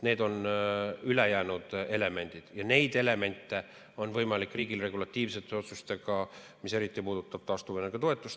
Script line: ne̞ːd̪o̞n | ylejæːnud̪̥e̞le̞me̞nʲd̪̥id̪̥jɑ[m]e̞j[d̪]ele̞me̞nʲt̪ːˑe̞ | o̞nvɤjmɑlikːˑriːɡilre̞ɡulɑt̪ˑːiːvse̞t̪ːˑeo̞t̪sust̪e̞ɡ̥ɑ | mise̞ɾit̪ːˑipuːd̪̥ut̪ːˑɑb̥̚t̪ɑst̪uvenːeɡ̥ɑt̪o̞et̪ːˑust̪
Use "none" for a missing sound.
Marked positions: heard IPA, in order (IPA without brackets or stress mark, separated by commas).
n, d̪